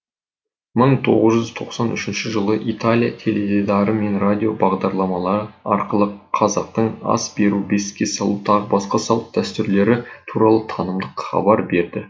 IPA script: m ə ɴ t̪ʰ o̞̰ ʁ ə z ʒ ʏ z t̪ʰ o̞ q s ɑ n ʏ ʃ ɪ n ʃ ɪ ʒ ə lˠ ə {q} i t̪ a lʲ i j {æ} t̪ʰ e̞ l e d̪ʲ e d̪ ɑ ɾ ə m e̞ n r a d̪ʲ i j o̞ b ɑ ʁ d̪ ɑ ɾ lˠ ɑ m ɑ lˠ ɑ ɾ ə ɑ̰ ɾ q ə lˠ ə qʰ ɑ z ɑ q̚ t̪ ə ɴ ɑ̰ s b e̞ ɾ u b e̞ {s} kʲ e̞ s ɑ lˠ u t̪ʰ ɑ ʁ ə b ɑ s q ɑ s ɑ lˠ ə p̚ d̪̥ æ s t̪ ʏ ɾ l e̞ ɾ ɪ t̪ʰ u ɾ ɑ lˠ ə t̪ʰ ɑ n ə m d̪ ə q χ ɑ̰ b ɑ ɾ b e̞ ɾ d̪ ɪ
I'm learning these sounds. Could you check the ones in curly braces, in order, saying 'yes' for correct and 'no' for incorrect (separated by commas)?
no, no, yes